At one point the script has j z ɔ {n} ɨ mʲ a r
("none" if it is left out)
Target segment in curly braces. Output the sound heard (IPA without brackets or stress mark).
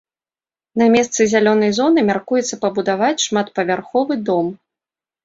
n